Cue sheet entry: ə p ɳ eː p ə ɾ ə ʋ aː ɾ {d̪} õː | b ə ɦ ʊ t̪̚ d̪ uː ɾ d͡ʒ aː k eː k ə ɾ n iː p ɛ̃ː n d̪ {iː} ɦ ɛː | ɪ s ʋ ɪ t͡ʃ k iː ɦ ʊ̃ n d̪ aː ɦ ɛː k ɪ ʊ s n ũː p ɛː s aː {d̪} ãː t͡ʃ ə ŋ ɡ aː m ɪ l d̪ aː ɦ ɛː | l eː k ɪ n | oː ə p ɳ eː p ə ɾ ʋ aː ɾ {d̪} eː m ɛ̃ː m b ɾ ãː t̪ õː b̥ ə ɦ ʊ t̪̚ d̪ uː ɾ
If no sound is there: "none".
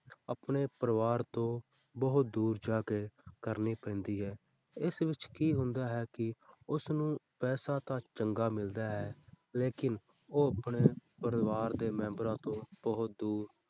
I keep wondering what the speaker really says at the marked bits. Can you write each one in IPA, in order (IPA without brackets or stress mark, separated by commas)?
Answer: t̪, iː, t̪, d̪